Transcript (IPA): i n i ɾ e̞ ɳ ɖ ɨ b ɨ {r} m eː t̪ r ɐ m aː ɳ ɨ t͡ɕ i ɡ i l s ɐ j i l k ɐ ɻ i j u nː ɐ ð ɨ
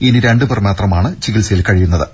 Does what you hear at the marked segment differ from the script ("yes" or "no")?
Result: no